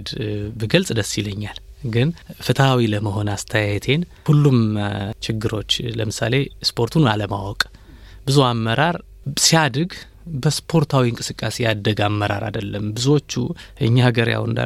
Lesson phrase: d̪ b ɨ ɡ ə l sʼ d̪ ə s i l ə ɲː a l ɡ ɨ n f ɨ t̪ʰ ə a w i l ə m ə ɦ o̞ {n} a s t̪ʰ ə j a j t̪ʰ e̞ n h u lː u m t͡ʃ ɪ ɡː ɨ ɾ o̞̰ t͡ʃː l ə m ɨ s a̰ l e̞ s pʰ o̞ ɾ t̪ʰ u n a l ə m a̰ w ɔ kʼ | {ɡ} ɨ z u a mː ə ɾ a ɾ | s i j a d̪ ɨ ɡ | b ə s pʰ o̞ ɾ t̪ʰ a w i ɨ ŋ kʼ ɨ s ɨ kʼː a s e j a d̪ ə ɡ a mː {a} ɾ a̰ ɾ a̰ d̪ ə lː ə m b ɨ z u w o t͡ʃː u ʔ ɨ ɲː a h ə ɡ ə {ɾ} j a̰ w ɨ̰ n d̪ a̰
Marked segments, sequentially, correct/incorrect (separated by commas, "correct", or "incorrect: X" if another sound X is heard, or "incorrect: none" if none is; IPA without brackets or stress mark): correct, incorrect: b, incorrect: ə, correct